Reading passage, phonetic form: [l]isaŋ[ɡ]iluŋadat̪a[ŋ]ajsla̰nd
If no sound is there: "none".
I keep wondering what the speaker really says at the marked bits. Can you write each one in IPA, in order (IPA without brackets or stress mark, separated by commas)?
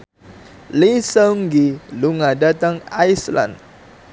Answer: l, ɡ, ŋ